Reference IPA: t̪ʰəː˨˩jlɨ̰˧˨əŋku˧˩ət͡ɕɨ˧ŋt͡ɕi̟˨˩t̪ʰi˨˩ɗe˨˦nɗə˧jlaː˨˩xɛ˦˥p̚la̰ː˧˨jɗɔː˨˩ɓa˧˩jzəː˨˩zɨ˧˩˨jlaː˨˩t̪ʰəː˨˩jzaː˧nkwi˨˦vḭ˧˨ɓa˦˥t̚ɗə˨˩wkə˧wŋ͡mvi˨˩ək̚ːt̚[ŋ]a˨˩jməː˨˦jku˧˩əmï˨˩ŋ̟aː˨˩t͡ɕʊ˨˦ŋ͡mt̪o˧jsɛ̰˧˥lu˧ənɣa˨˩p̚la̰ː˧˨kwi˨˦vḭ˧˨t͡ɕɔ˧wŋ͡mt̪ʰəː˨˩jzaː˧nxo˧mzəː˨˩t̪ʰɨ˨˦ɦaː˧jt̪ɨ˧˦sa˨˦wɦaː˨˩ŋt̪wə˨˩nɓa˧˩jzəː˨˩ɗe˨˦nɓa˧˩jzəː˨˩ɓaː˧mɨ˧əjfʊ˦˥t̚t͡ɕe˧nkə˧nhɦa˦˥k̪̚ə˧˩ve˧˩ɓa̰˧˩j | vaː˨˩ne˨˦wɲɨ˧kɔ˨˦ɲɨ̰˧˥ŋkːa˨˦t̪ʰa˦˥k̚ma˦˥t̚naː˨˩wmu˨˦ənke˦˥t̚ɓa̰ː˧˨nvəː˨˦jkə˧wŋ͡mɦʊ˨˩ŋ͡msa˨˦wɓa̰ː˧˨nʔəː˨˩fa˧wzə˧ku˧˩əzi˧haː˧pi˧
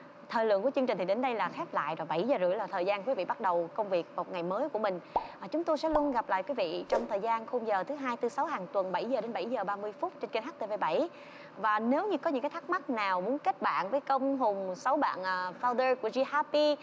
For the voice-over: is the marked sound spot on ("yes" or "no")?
yes